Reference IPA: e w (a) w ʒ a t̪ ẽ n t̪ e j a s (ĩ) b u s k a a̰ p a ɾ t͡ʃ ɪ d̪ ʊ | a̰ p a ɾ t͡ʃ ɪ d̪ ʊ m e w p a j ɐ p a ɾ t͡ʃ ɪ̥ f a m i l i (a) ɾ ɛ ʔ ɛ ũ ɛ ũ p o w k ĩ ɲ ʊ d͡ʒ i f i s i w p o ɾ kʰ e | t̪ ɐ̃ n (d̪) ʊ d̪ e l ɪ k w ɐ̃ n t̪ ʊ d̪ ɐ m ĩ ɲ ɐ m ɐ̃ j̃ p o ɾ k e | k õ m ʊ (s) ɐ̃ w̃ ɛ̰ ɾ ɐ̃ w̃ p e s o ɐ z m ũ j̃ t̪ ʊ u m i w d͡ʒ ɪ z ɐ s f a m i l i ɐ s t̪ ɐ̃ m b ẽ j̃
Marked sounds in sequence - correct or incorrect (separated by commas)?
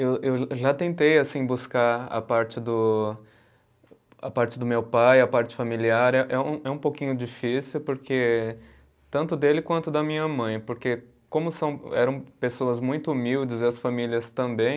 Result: incorrect, correct, correct, incorrect, correct